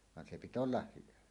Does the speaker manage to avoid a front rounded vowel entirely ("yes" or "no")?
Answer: no